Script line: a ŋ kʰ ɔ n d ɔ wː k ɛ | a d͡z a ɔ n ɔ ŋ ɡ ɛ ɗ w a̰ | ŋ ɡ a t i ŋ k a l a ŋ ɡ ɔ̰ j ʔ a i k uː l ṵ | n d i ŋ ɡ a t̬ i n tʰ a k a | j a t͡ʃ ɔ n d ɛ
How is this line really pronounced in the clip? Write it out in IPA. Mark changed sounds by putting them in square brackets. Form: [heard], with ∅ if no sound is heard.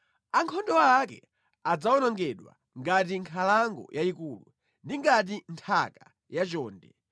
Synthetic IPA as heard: a ŋ kʰ ɔ n d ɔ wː k ɛ | a d͡z a ɔ n ɔ ŋ ɡ ɛ ɗ w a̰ | ŋ ɡ a t i ŋ [kʰ] a l a ŋ ɡ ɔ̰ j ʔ a i k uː l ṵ | n d i ŋ ɡ a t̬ i n tʰ a k a | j a t͡ʃ [ɔː] n d ɛ